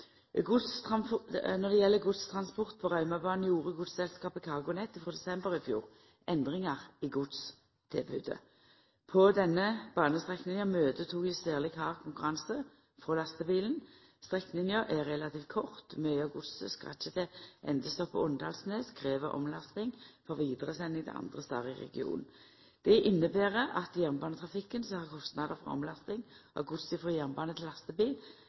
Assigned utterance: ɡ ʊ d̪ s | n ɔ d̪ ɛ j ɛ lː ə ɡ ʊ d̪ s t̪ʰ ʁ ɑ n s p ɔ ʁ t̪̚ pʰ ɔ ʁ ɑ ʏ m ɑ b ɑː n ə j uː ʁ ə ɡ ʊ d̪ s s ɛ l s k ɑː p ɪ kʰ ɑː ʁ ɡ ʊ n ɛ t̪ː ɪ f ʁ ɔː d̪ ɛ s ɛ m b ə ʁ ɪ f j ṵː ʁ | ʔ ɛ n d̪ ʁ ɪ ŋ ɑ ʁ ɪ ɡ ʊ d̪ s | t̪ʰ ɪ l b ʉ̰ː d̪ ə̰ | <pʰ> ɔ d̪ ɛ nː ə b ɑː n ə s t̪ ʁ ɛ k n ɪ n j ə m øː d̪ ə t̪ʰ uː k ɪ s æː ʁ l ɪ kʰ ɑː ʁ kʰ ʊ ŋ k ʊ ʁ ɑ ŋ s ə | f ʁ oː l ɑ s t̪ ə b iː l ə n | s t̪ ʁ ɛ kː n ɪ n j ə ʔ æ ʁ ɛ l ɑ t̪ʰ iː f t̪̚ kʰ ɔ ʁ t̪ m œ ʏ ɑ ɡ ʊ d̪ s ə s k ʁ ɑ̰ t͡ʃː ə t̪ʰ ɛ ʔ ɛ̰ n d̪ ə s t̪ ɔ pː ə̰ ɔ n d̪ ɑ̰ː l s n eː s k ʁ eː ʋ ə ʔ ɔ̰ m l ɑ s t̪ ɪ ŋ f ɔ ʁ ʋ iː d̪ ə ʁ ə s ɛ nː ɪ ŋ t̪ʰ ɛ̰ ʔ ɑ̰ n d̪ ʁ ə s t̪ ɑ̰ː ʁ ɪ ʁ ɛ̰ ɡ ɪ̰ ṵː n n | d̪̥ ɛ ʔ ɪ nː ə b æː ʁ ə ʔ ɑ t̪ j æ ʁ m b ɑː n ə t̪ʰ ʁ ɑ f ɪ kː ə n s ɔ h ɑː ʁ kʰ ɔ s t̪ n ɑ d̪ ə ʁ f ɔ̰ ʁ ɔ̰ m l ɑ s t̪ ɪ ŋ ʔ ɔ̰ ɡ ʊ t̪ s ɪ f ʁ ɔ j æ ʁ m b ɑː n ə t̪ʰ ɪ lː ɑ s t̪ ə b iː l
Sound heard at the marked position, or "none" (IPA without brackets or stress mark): pʰ